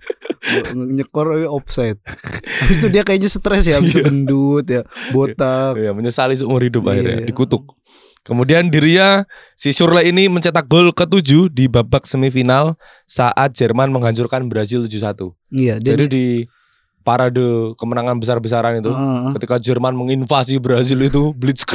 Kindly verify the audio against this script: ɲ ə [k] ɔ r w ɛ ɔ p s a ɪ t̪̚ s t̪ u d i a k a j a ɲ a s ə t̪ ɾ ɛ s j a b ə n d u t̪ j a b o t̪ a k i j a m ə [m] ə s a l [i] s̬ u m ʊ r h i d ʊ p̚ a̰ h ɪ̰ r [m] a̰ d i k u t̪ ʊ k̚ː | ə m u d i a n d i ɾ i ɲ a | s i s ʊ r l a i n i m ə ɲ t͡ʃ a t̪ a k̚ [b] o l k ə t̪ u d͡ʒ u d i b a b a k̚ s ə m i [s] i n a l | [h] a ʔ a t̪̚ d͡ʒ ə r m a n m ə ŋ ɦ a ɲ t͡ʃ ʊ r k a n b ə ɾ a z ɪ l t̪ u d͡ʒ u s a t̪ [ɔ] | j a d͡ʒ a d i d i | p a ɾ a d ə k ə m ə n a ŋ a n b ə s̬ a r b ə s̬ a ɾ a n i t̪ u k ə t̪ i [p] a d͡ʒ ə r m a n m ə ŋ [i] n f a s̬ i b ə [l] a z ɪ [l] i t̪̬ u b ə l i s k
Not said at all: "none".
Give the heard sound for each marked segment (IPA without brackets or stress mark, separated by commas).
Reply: k, ɲ, i, ɲ, ɡ, f, s, u, k, i, ɾ, l